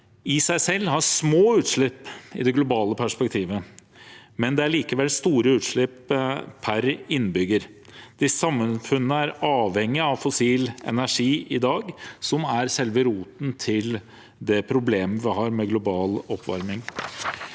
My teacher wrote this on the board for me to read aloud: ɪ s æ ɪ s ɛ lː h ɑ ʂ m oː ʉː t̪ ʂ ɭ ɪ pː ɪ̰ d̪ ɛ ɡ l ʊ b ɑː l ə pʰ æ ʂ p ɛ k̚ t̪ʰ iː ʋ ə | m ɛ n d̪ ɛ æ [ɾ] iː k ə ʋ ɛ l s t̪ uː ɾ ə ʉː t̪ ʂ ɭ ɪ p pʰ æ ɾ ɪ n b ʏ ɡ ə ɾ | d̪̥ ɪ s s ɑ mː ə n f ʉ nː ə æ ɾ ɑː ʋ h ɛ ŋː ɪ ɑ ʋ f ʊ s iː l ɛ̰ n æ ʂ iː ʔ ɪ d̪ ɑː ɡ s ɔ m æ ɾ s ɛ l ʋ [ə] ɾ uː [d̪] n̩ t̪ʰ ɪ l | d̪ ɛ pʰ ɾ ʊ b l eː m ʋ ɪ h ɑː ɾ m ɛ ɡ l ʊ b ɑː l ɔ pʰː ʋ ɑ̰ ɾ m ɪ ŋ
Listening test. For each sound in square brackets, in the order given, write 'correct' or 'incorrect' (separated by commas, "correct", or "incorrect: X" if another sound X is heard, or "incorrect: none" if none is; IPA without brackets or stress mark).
incorrect: ɭ, correct, incorrect: t̪